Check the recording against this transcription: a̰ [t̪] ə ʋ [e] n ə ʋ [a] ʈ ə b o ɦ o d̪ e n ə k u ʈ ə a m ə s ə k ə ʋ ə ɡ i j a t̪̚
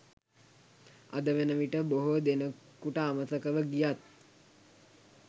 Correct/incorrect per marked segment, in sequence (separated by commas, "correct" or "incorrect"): incorrect, correct, incorrect